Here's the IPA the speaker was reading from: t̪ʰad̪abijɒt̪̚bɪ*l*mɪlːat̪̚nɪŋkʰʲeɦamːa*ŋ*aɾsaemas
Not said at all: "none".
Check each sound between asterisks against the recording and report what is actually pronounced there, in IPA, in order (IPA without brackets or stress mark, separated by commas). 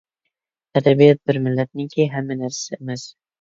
ɾ, n